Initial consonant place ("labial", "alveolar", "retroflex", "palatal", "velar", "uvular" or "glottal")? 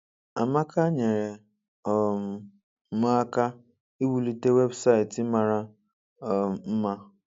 labial